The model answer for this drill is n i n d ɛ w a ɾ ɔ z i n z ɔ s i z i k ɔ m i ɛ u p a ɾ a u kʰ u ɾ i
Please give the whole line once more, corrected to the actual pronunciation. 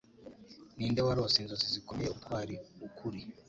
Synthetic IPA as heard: n i n d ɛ w a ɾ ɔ s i n z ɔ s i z i k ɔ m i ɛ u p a ɾ i u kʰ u ɾ i